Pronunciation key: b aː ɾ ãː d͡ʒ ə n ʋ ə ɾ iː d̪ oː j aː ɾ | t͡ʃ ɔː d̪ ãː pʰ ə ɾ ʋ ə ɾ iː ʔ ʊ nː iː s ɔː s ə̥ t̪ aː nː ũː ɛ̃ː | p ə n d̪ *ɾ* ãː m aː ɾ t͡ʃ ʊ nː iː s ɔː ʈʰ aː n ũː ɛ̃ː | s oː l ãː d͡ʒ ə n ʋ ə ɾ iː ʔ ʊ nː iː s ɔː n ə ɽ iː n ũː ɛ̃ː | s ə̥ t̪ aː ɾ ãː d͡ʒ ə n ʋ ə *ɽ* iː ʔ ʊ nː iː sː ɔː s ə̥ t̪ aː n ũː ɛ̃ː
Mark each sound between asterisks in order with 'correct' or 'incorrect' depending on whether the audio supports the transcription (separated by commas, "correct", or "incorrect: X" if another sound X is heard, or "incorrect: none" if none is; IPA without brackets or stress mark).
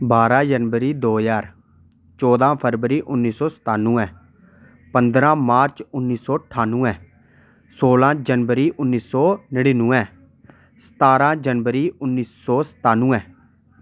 correct, incorrect: ɾ